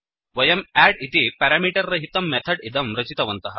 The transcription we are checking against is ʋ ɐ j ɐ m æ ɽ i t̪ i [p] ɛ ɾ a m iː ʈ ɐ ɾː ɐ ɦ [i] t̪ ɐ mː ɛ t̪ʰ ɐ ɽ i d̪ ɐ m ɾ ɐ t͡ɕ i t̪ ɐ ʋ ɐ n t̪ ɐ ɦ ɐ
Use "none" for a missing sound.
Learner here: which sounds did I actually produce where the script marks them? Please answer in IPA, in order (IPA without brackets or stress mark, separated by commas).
p, i